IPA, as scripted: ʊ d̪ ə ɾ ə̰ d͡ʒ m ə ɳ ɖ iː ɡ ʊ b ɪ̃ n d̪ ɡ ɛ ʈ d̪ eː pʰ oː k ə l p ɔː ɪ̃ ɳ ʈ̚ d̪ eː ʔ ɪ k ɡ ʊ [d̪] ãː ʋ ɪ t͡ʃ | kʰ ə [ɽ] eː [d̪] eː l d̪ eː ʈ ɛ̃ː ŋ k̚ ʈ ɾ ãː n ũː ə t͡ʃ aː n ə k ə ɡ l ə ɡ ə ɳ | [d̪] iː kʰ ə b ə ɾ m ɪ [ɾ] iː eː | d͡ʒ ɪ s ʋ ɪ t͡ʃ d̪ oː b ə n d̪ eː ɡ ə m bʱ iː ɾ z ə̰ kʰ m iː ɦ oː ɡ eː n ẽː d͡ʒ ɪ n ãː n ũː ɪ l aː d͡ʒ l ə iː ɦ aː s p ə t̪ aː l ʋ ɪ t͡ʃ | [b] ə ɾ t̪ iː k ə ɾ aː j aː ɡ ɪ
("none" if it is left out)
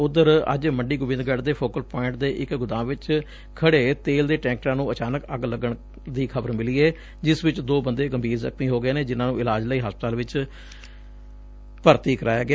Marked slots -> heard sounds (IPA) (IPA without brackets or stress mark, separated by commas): d̪, ɽ, t̪, d̪, l, p